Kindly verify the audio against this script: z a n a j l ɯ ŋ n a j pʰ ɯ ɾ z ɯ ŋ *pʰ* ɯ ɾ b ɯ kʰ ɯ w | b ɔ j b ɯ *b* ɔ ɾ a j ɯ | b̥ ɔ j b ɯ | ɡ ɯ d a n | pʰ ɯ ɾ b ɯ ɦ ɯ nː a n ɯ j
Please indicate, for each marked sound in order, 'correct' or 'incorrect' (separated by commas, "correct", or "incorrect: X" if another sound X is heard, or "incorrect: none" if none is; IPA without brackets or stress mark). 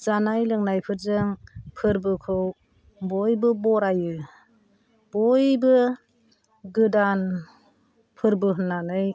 correct, correct